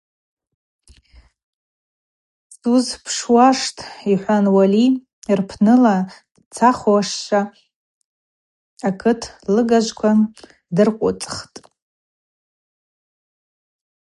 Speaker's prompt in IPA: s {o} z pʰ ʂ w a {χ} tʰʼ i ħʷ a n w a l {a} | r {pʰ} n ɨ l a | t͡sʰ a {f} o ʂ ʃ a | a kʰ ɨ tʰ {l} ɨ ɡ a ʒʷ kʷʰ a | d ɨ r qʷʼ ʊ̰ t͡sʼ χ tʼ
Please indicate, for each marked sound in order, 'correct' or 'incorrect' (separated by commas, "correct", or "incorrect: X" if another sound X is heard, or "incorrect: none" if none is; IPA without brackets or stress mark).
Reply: incorrect: u, incorrect: ʂ, incorrect: i, correct, incorrect: χ, correct